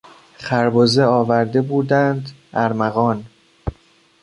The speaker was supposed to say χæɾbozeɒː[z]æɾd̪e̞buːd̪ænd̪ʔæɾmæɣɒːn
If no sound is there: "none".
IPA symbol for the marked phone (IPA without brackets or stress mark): v